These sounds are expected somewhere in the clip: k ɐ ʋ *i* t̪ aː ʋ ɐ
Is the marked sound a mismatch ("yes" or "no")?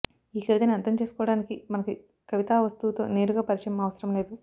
no